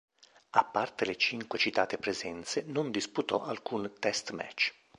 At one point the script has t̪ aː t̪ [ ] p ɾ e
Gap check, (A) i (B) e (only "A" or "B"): B